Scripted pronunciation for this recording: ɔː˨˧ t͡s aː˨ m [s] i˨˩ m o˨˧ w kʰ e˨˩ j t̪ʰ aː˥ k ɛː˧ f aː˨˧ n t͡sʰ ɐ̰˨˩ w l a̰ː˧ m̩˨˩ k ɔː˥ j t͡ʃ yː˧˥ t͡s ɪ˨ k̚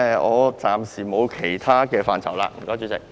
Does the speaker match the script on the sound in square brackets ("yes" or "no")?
yes